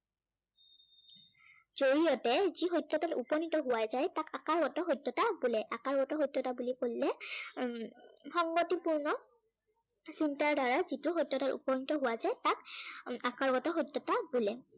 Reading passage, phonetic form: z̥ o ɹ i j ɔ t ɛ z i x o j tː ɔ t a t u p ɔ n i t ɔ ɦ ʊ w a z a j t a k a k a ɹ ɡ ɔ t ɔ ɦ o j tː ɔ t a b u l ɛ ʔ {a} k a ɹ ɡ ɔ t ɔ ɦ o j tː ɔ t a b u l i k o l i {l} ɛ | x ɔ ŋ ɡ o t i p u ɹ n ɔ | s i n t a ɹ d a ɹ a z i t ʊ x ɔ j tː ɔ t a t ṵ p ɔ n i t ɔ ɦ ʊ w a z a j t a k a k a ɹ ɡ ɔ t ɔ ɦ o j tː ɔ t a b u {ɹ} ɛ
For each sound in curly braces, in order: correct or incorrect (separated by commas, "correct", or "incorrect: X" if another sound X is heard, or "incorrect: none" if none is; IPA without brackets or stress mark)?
correct, correct, incorrect: l